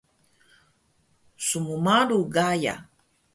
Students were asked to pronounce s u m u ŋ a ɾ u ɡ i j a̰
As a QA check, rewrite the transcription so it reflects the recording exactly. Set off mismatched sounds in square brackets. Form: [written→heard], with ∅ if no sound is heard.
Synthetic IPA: s u m u [ŋ→m] a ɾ u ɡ [i→a] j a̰